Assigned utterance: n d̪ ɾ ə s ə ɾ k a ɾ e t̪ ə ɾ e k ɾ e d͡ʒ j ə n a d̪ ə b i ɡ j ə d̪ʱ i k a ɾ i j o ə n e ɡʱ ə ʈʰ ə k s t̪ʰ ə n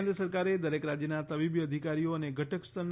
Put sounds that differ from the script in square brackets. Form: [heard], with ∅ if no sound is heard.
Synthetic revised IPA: n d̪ ɾ ə s ə ɾ k a ɾ e [d̪] ə ɾ e k ɾ [a] d͡ʒ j ə n a [t̪] ə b i [b] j ə d̪ʱ i k a ɾ i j o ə n e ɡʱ ə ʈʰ ə k s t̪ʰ ə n